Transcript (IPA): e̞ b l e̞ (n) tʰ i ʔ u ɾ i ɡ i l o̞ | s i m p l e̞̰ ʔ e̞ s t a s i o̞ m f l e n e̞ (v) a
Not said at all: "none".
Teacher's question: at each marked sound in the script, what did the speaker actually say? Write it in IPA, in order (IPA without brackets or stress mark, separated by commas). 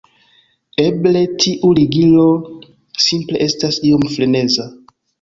none, z